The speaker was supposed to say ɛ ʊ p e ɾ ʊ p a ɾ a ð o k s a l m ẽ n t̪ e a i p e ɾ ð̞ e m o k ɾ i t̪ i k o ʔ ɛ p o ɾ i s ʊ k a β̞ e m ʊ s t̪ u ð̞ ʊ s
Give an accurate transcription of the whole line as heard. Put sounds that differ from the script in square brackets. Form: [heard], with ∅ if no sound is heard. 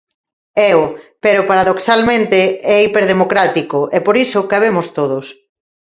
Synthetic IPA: ɛ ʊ p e ɾ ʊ p a ɾ a ð o k s a l m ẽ n t̪ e [ɛ] i p e ɾ ð̞ e m o k ɾ [a] t̪ i k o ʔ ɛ p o ɾ i s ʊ k a β̞ e m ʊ s t̪ [o] ð̞ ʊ s